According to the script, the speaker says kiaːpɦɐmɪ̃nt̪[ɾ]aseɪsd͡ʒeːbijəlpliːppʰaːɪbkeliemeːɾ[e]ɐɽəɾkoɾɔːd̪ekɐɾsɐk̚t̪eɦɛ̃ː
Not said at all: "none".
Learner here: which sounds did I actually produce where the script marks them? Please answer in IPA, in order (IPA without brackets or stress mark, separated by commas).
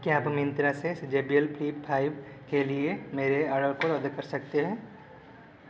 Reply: ɾ, e